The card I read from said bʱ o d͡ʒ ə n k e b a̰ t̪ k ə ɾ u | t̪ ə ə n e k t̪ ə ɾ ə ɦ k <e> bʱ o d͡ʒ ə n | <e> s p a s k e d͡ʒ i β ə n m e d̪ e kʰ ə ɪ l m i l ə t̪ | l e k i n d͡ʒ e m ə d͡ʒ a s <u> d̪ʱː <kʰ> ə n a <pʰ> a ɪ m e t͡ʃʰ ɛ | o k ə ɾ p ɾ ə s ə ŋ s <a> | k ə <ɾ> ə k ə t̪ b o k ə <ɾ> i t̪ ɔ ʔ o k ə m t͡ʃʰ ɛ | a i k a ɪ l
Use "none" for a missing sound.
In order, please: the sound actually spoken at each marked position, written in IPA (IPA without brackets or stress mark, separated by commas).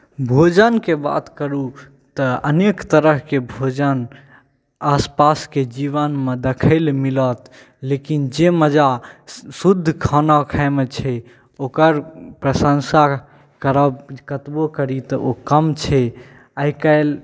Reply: e, a, u, kʰ, kʰ, a, ɾ, ɾ